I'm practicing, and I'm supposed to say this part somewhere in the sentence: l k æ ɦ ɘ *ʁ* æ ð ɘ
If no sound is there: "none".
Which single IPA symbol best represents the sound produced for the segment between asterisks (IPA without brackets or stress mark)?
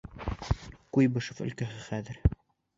χ